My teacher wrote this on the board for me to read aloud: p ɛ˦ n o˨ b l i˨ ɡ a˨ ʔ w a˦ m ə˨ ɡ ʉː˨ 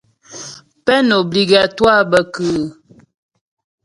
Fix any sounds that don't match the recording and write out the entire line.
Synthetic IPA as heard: p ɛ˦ n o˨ b l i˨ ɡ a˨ t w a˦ b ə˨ k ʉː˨